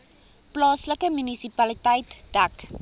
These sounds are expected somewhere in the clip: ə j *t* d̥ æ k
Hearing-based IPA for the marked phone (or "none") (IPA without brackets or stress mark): t